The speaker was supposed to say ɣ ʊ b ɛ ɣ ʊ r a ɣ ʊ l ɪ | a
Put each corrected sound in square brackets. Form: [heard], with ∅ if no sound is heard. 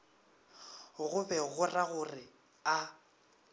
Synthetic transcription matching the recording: ɣ ʊ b ɛ ɣ ʊ r a ɣ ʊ [r] ɪ | a